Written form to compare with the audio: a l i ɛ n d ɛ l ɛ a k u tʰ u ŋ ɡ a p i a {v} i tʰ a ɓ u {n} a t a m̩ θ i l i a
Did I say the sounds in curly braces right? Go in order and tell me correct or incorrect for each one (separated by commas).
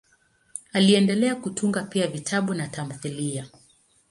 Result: correct, correct